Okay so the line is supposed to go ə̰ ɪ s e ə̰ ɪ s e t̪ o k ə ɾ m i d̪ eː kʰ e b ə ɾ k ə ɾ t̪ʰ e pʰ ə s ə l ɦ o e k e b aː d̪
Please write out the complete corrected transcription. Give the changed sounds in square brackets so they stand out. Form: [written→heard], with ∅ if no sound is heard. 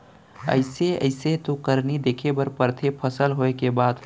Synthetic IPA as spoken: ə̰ ɪ s e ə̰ ɪ s e t̪ o k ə ɾ [m→n] i d̪ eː kʰ e b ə ɾ [k→p] ə ɾ t̪ʰ e pʰ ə s ə l ɦ o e k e b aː d̪

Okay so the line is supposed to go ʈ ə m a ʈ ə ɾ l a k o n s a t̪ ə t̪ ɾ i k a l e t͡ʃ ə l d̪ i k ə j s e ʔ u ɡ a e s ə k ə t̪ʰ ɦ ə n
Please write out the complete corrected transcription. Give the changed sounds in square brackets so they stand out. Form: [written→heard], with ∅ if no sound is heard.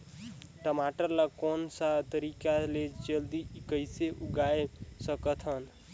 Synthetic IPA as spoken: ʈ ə m a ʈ ə ɾ l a k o n s a t̪ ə [t̪→∅] ɾ i k a l e t͡ʃ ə l d̪ i k ə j s e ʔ u ɡ a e s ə k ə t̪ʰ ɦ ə n

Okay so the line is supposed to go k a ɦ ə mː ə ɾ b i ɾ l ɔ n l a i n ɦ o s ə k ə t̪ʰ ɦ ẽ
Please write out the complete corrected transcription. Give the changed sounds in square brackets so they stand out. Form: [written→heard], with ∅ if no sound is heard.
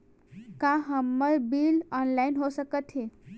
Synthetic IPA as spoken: k a ɦ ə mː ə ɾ b i [ɾ→∅] l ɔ n l a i n ɦ o s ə k ə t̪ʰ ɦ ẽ

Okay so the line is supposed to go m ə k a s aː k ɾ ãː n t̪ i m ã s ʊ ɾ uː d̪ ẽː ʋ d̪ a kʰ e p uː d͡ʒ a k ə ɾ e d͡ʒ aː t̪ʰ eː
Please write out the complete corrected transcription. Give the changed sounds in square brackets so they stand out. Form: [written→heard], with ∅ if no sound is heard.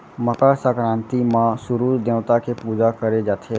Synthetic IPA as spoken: m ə k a s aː k ɾ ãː n t̪ i m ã s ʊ ɾ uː d̪ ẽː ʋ [d̪→t̪] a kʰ e p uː d͡ʒ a k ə ɾ e d͡ʒ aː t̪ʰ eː

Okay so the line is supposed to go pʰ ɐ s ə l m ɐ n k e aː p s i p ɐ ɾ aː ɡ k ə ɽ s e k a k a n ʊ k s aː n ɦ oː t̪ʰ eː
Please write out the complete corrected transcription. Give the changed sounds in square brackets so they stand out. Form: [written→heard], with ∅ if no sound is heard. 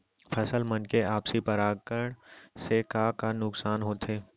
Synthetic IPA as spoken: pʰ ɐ s ə l m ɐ n k e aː p s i p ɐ ɾ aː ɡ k ə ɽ s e k a k a n ʊ k s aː n ɦ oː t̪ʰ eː

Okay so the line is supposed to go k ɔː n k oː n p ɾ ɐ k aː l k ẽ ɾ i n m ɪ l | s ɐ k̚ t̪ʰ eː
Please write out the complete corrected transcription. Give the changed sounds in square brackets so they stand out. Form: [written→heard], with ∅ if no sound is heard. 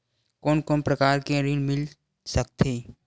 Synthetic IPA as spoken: k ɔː n k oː n p ɾ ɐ k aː [l→ɾ] k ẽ ɾ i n m ɪ l | s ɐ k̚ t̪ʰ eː

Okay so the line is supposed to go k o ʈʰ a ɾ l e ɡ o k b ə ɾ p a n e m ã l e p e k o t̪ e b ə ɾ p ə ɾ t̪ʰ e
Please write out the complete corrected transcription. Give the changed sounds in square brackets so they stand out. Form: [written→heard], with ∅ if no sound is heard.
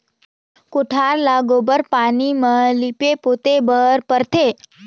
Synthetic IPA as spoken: k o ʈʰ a ɾ l [e→a] ɡ o [k→∅] b ə ɾ p a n [e→i] m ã l [e→i] p e [k→p] o t̪ e b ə ɾ p ə ɾ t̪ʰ e

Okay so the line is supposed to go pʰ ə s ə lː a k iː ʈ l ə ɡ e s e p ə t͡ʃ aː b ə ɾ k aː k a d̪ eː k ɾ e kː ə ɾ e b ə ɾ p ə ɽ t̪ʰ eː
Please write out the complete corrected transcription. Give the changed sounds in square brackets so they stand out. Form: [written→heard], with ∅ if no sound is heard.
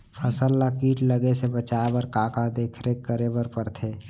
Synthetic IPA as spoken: pʰ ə s ə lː a k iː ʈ l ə ɡ e s e [p→b] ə t͡ʃ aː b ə ɾ k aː k a d̪ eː [k→kʰ] ɾ e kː ə ɾ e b ə ɾ p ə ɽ t̪ʰ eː

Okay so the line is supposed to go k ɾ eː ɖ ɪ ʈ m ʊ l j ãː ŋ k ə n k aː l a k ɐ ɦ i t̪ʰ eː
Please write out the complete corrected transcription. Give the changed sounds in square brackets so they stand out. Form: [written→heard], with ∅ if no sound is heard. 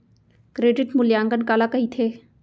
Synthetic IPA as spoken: k ɾ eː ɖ ɪ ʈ m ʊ l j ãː ŋ [k→ɡ] ə n k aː l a k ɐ ɦ i t̪ʰ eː

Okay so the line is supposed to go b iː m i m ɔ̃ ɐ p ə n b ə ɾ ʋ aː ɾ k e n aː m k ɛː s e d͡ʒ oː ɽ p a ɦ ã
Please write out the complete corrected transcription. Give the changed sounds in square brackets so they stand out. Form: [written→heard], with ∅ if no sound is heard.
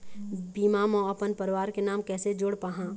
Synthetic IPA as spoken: b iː m [i→a] m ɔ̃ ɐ p ə n [b→p] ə ɾ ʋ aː ɾ k e n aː m k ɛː s e d͡ʒ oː ɽ p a ɦ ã

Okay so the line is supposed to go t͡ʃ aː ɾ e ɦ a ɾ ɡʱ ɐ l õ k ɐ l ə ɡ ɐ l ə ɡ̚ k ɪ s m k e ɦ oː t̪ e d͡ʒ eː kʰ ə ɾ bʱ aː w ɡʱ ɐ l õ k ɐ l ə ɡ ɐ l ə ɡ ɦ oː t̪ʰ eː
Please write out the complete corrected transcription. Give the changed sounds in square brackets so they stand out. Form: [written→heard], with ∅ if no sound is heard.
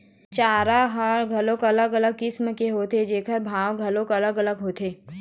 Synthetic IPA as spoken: t͡ʃ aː ɾ [e→a] ɦ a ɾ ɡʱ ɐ l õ k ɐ l ə ɡ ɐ l ə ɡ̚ k ɪ s m k e ɦ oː t̪ e d͡ʒ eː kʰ ə ɾ bʱ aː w ɡʱ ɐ l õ k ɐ l ə ɡ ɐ l ə ɡ ɦ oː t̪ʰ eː

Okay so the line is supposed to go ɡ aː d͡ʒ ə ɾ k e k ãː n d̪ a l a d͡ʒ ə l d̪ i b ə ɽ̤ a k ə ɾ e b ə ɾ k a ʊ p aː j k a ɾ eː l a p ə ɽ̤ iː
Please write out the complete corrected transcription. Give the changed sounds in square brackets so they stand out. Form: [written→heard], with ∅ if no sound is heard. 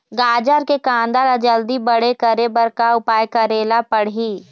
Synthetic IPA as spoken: ɡ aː d͡ʒ ə ɾ k e k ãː n d̪ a l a d͡ʒ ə l d̪ i b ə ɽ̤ [a→e] k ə ɾ e b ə ɾ k a ʊ p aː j k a ɾ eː l a p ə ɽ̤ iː

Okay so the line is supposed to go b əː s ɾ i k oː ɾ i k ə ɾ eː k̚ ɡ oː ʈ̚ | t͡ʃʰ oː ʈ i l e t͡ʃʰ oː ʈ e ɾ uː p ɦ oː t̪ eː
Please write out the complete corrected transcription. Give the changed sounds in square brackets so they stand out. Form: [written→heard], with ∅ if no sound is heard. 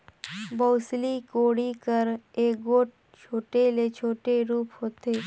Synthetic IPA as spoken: b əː s [ɾ→l] i k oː [ɾ→ɽ] i k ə ɾ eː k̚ ɡ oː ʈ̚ | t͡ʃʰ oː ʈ [i→e] l e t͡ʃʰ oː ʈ e ɾ uː p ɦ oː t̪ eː

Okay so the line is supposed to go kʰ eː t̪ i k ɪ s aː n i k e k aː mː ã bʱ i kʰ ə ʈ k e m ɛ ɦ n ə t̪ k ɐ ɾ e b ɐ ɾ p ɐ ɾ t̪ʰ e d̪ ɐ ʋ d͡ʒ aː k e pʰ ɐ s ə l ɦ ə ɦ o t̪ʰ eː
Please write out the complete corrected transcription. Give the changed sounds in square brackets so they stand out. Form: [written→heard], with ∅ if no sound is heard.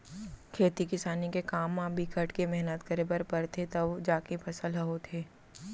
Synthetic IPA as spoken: kʰ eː t̪ i k ɪ s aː n i k e k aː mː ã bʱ i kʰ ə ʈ k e m ɛ ɦ n ə t̪ k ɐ ɾ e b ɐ ɾ p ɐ ɾ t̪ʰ e [d̪→t̪] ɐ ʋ d͡ʒ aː k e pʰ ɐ s ə l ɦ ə ɦ o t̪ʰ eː

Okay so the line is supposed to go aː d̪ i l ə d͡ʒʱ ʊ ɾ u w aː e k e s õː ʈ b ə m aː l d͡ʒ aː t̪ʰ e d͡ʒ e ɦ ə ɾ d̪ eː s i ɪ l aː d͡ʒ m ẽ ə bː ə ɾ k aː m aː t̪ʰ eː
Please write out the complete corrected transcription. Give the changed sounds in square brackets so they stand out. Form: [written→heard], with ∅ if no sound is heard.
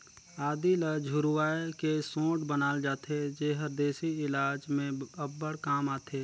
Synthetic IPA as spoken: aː d̪ i l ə d͡ʒʱ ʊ ɾ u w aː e k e s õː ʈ b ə [m→n] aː l d͡ʒ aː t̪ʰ e d͡ʒ e ɦ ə ɾ d̪ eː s i ɪ l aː d͡ʒ m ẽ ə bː ə [ɾ→ɽ] k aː m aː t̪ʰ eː

